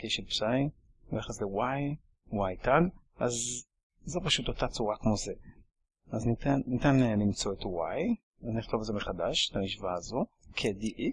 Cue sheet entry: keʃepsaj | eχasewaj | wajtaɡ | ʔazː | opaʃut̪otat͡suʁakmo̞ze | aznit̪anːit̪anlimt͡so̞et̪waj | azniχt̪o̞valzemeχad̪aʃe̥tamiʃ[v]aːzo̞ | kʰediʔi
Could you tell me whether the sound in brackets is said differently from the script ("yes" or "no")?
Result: no